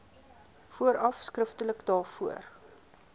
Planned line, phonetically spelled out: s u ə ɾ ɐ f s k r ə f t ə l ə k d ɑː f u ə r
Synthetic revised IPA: f u ə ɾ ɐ f s k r ə f t ə l ə k d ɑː f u ə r